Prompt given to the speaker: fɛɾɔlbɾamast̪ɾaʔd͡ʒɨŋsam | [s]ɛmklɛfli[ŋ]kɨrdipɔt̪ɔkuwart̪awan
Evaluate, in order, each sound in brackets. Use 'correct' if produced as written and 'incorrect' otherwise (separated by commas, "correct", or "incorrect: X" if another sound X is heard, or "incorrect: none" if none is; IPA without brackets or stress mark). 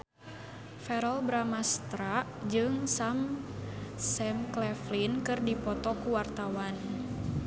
correct, incorrect: n